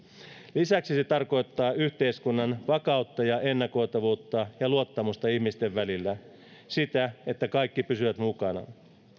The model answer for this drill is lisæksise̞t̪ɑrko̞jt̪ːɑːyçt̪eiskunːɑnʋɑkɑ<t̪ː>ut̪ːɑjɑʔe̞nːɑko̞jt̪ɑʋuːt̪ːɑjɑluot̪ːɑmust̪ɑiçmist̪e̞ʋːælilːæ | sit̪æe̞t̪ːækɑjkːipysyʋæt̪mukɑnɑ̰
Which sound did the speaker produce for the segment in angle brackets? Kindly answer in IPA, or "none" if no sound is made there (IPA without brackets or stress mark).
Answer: none